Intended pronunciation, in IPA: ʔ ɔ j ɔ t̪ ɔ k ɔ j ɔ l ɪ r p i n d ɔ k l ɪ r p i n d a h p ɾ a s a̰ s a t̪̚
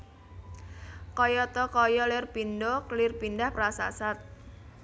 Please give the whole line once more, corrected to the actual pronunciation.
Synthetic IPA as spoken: k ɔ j ɔ t̪ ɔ k ɔ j ɔ l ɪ r p i n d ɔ k l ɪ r p i n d a h p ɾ a s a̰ s a t̪̚